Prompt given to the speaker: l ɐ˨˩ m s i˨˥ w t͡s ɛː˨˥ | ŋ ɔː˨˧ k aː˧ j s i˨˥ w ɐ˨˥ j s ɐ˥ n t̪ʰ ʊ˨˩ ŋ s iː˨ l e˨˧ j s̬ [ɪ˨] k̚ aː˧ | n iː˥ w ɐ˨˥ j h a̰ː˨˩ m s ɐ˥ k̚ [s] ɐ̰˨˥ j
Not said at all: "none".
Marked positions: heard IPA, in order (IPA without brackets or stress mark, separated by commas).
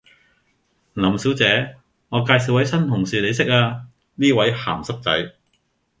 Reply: ɪ˥, t͡s